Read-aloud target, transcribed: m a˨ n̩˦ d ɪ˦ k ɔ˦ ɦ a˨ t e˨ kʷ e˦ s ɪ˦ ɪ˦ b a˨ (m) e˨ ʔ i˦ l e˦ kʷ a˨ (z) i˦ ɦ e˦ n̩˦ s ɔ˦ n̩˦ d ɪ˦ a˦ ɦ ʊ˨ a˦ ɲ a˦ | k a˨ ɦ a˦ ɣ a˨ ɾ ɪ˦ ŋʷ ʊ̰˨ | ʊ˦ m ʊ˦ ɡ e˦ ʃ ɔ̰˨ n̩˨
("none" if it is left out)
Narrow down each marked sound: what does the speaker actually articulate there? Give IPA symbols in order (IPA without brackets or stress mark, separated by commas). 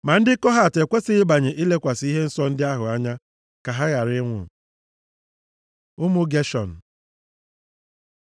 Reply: ɲ, s